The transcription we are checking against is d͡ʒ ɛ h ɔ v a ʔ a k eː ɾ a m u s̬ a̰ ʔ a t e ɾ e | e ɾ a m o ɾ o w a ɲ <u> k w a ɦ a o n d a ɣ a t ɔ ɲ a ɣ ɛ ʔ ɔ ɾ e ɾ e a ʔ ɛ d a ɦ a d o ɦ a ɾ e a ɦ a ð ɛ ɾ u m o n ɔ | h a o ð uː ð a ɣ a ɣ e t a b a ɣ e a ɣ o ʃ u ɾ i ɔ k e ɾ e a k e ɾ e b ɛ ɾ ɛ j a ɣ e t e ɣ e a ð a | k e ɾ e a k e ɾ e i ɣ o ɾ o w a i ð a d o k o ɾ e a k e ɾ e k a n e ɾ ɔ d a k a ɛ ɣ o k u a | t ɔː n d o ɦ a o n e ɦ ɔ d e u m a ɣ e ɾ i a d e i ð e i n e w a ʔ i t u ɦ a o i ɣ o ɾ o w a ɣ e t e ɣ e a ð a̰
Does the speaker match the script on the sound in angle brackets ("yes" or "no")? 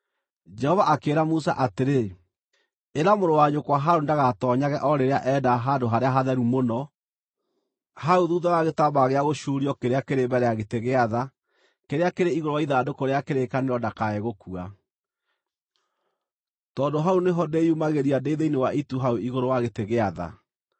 no